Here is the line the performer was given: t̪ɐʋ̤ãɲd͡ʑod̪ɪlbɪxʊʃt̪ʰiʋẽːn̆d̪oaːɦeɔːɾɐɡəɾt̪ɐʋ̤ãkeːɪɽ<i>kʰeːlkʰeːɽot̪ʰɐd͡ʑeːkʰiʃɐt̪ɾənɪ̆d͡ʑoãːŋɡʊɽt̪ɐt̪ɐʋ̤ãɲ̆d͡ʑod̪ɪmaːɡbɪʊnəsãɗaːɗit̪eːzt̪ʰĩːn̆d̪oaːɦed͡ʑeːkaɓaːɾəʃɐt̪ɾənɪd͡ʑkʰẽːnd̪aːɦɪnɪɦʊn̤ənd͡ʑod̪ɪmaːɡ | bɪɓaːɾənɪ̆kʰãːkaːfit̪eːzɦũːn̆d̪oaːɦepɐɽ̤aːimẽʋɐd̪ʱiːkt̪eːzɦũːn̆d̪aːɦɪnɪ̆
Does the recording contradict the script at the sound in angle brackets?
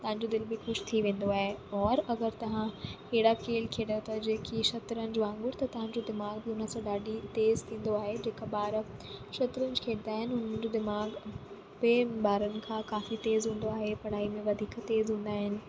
yes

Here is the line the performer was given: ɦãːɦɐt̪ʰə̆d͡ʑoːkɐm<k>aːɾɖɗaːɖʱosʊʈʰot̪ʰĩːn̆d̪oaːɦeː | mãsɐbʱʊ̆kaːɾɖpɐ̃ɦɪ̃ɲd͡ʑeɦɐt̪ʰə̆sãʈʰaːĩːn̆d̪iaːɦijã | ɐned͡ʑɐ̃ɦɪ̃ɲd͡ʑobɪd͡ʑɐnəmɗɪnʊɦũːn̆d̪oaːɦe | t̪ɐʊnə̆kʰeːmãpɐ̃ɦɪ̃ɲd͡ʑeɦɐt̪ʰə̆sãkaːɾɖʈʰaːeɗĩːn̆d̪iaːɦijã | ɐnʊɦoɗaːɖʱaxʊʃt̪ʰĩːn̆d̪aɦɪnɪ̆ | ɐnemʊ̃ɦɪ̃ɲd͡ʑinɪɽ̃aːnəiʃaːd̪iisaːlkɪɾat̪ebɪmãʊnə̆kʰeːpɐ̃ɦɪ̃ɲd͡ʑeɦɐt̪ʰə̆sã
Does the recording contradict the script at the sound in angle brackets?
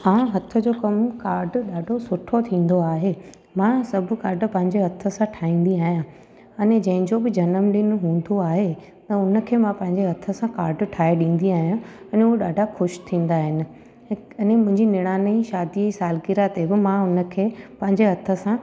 no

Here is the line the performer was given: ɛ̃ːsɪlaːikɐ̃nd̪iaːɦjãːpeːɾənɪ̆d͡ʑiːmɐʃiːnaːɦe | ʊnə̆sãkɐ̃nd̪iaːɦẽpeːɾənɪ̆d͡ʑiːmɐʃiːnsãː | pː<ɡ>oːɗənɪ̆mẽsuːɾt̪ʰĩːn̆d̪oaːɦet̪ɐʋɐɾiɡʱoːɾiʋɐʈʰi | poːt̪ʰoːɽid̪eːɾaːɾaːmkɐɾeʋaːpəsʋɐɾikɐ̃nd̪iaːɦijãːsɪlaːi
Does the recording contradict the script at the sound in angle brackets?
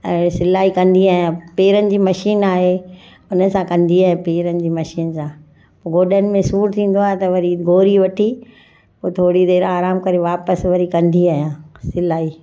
no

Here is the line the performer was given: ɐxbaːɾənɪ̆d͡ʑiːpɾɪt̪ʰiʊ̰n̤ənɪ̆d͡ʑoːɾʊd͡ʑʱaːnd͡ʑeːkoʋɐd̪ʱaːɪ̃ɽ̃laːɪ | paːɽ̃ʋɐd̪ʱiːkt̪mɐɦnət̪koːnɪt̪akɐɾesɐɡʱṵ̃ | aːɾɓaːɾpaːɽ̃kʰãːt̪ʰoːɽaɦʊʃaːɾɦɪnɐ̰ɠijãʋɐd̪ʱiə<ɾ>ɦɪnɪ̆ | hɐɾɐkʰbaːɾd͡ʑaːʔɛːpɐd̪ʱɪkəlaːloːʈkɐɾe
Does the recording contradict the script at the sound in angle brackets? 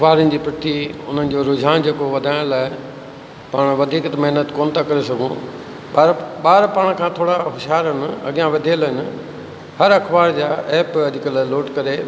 yes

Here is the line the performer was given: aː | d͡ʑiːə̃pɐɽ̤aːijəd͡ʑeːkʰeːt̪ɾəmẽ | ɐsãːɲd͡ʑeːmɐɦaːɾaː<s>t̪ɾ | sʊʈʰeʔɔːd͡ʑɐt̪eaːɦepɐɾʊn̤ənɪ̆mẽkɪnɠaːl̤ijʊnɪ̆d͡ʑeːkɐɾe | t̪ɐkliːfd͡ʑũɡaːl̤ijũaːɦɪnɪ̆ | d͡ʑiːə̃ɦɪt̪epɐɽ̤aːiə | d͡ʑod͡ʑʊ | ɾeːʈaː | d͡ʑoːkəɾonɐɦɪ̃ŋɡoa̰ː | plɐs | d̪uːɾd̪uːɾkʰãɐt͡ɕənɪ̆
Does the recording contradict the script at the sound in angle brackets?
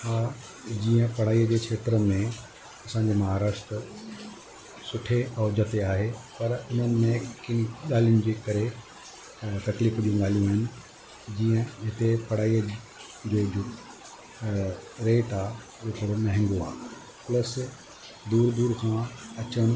yes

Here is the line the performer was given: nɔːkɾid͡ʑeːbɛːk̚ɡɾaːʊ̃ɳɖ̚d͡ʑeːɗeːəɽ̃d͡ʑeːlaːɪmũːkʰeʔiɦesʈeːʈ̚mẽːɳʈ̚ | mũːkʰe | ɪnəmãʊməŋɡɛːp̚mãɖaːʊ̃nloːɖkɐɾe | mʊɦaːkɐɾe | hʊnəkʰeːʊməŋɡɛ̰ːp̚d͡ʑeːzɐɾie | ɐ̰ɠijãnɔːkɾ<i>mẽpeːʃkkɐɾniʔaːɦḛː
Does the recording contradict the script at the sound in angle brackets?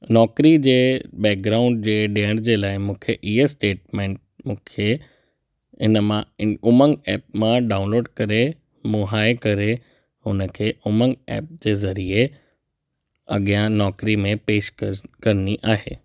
no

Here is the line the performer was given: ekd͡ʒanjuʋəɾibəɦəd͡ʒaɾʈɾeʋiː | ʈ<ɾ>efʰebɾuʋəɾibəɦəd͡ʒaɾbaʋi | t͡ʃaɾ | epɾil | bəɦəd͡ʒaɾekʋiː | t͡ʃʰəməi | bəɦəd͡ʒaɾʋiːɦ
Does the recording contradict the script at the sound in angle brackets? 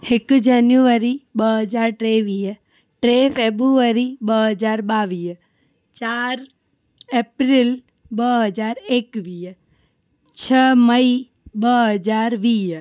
no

